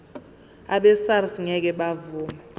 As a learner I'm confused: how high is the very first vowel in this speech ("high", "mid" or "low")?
low